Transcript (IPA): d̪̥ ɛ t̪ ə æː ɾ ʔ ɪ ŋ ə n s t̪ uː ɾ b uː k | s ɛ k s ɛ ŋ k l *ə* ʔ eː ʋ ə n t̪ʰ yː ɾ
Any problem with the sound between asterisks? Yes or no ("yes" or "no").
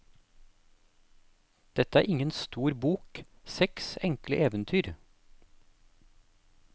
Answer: no